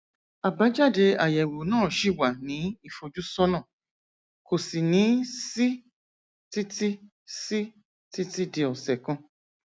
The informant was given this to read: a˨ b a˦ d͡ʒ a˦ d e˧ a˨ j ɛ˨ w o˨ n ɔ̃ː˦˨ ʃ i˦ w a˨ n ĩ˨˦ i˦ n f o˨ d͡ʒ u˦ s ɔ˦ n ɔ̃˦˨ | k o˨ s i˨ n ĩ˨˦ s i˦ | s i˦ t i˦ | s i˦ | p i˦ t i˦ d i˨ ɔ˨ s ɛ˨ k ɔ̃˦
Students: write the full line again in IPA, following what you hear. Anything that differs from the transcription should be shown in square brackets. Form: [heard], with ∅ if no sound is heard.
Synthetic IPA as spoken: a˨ b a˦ d͡ʒ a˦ d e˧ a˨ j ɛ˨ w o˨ n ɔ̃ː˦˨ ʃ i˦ w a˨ n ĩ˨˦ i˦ [∅] f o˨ d͡ʒ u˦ s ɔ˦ n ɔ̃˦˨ | k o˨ s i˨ n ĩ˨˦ s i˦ | [t] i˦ t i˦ | s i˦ | [t] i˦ t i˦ d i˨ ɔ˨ s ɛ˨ k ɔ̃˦